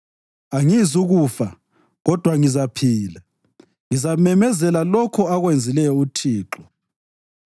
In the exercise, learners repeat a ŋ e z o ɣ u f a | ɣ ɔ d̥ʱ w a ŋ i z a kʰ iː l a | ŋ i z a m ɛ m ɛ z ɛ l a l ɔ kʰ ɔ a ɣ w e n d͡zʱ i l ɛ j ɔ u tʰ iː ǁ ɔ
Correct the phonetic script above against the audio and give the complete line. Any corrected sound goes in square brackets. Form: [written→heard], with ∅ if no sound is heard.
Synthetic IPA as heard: a ŋ [e→i] z [o→u] ɣ u f a | ɣ ɔ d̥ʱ w a ŋ i z a [kʰ→pʰ] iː l a | ŋ i z a m ɛ m ɛ z ɛ l a l ɔ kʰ ɔ a ɣ w e n d͡zʱ i l ɛ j ɔ u tʰ iː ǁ ɔ